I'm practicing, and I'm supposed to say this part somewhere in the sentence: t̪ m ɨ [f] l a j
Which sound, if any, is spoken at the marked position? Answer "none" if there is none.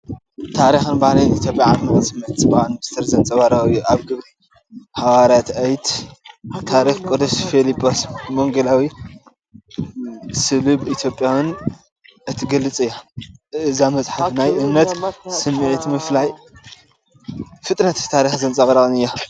f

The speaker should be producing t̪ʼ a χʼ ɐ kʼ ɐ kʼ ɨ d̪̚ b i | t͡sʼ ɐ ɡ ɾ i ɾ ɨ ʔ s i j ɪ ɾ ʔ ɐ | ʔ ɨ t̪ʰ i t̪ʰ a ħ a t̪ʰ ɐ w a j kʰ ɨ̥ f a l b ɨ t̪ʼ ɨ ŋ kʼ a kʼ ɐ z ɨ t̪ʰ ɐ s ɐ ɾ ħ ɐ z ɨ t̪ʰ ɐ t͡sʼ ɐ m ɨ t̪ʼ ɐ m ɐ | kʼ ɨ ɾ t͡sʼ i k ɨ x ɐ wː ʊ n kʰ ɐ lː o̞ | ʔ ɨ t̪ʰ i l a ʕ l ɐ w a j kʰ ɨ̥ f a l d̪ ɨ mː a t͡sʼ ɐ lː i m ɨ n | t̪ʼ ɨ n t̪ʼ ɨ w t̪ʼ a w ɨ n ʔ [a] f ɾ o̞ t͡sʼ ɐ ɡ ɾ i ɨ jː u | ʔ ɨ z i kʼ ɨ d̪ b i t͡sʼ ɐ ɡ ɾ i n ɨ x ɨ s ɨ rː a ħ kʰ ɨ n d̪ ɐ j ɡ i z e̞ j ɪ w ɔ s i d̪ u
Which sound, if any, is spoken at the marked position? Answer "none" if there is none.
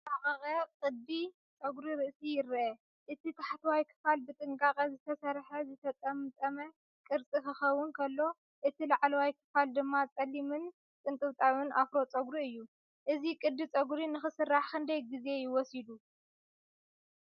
a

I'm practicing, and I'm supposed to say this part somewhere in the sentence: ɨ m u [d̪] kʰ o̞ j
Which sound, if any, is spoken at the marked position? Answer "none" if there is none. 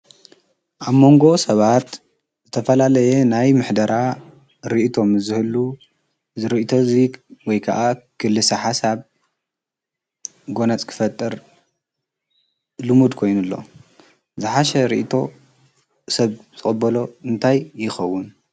d̪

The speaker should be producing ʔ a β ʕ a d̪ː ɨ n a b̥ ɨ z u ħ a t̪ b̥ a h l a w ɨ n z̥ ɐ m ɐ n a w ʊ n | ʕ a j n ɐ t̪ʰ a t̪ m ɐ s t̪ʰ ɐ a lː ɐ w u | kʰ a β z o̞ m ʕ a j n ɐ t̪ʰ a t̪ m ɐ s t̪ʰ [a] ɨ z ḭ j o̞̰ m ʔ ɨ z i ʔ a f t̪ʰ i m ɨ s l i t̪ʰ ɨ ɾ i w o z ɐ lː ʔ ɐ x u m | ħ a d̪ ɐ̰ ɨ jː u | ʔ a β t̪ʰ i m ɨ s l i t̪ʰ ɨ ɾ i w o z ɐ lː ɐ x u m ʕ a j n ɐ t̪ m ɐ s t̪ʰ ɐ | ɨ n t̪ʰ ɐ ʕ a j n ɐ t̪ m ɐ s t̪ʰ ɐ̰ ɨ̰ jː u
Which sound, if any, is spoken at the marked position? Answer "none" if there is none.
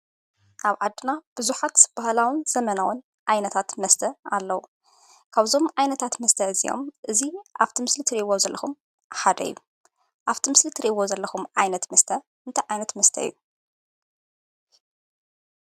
ɐ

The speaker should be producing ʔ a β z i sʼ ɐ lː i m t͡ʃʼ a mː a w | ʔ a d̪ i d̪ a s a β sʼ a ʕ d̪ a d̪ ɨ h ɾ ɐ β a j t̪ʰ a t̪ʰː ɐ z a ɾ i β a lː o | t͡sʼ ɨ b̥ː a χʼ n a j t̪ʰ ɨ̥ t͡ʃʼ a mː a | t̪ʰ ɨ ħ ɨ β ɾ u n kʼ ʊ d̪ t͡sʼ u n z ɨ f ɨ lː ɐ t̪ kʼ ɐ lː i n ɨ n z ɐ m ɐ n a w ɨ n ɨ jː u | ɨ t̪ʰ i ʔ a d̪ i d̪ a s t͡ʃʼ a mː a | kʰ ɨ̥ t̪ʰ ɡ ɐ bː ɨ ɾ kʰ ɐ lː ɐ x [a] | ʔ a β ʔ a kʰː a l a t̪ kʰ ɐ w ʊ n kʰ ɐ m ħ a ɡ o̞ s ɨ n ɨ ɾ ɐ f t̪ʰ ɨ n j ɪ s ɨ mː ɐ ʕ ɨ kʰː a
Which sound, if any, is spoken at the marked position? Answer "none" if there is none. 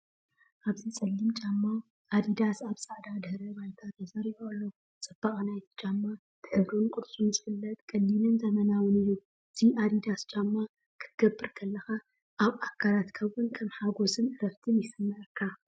a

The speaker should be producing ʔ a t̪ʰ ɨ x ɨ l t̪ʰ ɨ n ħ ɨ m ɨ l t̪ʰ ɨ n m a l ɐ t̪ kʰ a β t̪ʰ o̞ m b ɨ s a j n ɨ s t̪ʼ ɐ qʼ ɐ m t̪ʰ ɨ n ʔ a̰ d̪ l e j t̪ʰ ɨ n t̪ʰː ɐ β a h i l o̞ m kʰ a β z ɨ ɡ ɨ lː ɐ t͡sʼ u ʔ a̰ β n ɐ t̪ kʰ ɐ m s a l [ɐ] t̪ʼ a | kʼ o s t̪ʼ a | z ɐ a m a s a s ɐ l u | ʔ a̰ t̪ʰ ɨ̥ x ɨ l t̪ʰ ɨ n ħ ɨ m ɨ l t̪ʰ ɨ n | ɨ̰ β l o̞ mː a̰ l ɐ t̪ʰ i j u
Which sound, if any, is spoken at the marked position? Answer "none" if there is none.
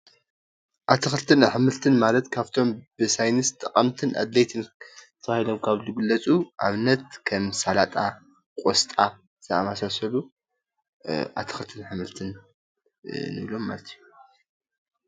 a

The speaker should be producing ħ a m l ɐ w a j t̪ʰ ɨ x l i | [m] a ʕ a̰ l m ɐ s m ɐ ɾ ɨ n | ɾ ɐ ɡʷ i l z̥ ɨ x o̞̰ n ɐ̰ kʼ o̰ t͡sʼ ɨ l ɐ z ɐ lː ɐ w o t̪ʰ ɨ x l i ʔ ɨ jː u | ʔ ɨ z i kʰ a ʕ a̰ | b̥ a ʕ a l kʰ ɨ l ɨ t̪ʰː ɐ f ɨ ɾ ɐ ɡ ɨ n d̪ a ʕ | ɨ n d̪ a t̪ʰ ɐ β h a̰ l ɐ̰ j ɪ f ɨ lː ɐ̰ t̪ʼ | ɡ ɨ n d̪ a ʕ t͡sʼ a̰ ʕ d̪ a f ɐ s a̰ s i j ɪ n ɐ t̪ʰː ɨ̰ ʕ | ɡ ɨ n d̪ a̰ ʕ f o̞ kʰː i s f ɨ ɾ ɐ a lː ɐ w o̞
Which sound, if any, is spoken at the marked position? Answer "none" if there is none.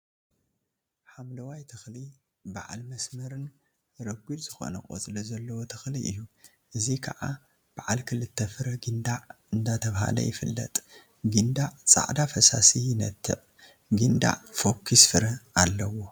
b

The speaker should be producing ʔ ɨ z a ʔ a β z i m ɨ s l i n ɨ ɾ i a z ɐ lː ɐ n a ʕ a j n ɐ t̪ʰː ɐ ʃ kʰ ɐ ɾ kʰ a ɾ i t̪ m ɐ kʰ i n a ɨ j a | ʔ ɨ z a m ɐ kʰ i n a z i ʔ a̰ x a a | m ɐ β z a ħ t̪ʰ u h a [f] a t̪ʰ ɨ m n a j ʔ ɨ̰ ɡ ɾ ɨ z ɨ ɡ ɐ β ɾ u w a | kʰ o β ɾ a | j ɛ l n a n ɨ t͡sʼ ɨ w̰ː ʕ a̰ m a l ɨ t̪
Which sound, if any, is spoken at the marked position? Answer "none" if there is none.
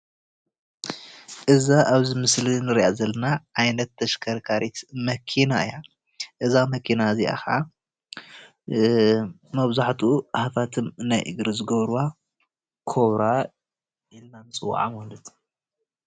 f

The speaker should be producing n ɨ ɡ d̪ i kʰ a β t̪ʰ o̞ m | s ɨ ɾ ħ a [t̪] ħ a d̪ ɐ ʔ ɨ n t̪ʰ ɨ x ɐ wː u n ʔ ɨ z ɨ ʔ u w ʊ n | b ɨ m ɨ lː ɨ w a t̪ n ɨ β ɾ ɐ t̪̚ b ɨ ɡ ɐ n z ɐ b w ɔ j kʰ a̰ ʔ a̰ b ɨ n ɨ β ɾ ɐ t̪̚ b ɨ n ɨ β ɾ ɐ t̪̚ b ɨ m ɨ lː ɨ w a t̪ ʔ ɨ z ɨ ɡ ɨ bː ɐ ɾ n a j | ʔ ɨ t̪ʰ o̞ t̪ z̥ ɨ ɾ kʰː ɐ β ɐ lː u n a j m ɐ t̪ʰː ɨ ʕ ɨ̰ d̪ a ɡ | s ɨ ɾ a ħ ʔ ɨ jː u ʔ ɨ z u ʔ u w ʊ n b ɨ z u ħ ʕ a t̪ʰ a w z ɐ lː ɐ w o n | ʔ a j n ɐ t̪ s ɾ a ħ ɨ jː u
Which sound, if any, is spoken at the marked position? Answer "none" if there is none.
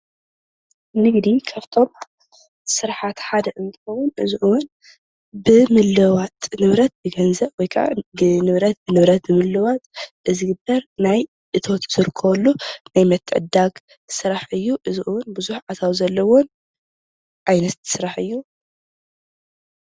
t̪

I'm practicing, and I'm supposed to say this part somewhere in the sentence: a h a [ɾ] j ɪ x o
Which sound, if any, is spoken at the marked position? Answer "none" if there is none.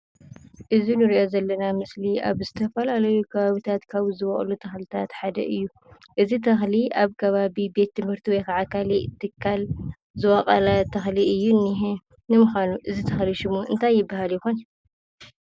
l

